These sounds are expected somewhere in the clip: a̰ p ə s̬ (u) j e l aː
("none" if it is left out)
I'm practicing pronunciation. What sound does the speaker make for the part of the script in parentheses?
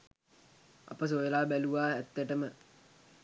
o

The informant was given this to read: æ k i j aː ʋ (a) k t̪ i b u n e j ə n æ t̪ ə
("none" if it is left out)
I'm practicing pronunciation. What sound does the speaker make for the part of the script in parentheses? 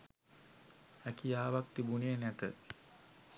a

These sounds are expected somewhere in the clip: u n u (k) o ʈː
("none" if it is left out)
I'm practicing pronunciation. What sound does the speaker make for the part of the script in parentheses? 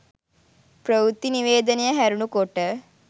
k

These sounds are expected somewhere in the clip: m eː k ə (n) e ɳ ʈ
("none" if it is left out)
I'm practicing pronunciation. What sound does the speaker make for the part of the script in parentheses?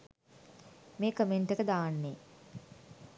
m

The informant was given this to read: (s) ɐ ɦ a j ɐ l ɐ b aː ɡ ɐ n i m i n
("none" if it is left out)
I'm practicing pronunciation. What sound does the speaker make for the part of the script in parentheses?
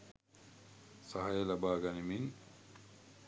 s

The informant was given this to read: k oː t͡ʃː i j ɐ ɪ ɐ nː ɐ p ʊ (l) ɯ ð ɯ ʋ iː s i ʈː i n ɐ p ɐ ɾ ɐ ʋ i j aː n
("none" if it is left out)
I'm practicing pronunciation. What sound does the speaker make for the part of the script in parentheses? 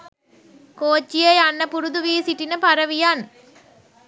ɾ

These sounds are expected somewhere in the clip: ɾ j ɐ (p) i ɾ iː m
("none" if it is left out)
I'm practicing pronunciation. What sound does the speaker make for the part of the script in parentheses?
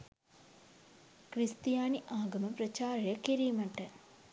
k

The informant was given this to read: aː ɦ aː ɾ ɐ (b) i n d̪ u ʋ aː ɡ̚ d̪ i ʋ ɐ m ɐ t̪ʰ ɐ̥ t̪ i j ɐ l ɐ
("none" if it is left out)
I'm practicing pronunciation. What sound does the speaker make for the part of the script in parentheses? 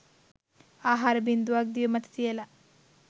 b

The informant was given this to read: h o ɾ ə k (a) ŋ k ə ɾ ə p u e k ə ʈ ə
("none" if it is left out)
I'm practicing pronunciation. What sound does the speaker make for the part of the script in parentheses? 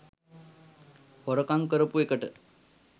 a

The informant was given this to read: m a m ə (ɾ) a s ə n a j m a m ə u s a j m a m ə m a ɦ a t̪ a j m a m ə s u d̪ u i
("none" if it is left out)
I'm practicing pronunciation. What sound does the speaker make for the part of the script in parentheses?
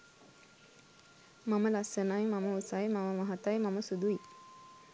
l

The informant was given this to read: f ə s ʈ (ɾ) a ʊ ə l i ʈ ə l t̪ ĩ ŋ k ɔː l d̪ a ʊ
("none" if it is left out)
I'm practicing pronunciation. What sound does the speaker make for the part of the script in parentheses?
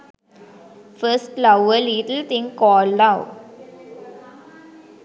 l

